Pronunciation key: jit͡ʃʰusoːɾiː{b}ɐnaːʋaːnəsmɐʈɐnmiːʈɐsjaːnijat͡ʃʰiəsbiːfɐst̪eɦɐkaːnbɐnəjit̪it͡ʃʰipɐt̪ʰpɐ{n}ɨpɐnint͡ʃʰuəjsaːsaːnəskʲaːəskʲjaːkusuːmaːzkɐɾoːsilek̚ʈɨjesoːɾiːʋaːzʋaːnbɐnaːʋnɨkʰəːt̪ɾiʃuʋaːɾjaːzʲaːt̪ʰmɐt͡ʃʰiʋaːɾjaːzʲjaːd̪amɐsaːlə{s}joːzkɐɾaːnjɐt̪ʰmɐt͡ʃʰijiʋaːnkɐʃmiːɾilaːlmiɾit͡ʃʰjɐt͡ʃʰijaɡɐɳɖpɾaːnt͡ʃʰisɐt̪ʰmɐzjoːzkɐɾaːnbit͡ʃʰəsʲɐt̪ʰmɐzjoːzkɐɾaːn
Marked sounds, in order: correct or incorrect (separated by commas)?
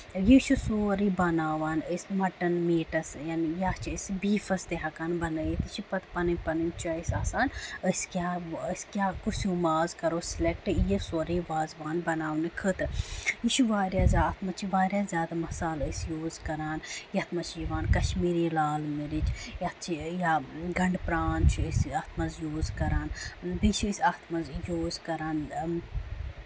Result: correct, correct, correct